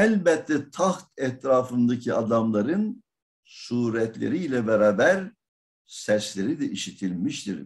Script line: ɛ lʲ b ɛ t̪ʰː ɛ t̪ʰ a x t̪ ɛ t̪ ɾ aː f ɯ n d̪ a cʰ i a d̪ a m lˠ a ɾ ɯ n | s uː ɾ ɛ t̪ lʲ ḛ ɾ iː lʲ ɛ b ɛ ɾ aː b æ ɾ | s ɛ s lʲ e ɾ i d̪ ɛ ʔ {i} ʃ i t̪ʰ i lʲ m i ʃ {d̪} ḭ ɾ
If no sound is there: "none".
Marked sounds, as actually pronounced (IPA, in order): i, t̪

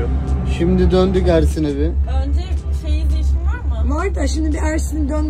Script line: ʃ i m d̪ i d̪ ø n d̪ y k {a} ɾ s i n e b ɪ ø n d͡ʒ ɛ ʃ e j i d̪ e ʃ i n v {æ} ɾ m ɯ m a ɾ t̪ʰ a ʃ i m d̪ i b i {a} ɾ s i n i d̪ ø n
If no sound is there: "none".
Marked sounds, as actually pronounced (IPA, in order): æ, a, æ

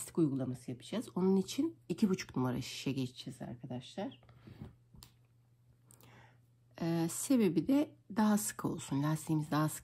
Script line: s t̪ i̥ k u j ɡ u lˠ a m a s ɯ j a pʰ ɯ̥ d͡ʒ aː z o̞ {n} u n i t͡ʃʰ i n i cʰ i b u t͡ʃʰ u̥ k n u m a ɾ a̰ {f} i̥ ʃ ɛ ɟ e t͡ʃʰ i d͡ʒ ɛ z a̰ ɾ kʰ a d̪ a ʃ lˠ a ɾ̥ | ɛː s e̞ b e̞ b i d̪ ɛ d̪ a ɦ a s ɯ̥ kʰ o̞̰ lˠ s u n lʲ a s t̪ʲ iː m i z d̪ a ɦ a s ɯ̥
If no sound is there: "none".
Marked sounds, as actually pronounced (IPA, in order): n, ʃ

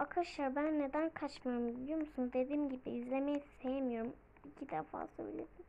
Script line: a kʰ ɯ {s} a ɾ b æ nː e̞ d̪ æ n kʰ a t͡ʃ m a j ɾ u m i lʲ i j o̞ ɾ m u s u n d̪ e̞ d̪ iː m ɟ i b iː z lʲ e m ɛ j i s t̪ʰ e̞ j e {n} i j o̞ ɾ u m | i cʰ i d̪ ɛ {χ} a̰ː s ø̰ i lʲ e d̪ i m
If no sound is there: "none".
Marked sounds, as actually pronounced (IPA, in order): ʃ, m, f

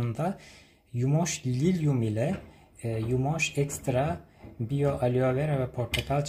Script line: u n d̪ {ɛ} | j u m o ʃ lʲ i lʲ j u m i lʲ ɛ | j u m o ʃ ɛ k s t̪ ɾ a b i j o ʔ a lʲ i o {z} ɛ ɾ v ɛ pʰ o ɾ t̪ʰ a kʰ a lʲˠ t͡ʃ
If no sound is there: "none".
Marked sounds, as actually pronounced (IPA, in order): a, v

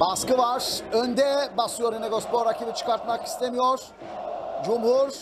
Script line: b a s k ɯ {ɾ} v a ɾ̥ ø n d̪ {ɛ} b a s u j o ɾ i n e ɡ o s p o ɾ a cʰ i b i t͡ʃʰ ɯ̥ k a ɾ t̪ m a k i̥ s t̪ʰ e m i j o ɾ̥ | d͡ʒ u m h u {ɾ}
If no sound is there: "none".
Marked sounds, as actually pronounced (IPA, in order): none, ɛ, ɾ

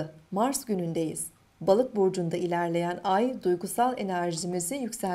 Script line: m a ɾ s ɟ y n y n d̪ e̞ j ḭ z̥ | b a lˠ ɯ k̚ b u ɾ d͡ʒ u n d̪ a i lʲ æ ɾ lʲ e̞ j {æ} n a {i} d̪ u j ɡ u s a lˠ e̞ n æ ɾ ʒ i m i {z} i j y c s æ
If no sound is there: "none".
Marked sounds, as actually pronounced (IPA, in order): æ, j, z

